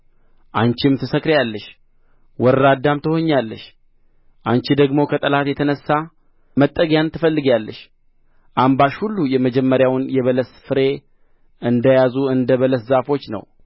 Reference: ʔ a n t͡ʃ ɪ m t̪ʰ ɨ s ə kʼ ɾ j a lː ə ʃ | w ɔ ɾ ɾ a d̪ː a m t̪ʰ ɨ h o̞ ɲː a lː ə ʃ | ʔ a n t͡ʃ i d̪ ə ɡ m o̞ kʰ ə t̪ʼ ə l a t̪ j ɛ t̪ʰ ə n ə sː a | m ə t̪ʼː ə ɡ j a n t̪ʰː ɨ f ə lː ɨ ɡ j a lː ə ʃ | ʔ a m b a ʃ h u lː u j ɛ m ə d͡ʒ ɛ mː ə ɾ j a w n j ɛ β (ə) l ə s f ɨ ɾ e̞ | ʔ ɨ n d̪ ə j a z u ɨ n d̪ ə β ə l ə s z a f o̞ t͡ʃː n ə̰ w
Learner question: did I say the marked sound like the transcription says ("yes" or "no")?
yes